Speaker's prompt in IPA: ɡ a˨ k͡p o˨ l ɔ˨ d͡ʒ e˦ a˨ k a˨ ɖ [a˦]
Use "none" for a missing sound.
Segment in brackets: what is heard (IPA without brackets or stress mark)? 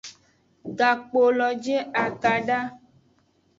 a˦